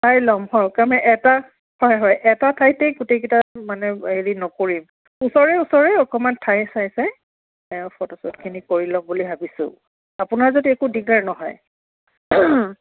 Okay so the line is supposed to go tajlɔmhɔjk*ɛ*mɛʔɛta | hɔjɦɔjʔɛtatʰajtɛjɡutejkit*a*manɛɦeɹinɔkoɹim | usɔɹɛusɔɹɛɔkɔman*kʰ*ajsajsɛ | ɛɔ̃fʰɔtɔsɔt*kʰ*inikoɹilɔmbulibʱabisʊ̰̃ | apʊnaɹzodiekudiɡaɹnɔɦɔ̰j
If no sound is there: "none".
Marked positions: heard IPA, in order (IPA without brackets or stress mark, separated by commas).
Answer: a, a, tʰ, kʰ